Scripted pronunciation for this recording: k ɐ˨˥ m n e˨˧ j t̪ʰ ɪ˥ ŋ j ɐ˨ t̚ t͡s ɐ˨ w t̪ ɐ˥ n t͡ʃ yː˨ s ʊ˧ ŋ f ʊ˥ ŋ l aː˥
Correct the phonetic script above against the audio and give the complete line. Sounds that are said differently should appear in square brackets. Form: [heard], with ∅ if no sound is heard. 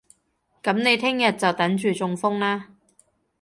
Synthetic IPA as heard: k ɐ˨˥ m n e˨˧ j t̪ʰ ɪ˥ ŋ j ɐ˨ t̚ t͡s ɐ˨ w t̪ [ɐ˨˥] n t͡ʃ yː˨ [t͡s] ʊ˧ ŋ f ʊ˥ ŋ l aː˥